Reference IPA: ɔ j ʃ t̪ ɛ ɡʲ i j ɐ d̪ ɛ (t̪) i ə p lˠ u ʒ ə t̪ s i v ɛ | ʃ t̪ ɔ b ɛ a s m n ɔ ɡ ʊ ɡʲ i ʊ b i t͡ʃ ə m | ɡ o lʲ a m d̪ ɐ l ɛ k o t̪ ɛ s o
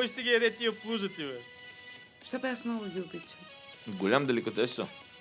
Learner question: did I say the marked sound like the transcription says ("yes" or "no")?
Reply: yes